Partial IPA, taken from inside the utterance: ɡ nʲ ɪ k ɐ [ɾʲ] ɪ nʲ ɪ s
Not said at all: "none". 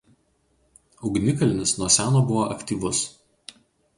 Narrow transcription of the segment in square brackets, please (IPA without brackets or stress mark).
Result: lʲ